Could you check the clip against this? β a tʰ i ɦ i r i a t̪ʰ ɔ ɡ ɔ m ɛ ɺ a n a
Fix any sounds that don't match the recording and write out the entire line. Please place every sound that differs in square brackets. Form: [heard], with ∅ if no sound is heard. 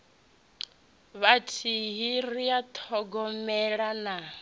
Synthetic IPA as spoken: β a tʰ i ɦ i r i a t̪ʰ ɔ ɡ ɔ m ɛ ɺ a n a